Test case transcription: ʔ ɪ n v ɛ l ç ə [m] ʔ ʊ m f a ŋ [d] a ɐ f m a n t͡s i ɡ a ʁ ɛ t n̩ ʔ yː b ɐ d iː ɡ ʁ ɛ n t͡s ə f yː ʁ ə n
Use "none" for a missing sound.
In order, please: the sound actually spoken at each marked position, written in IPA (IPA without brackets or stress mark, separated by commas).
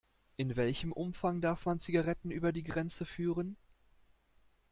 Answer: m, d